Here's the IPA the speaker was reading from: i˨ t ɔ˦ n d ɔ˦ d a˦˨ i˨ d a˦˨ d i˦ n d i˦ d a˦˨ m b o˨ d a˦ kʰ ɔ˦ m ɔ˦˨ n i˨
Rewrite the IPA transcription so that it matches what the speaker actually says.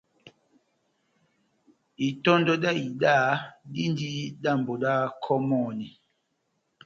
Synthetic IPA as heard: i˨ t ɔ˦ n d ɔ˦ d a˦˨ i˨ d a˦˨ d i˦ n d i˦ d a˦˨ m b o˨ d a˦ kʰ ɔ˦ m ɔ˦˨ n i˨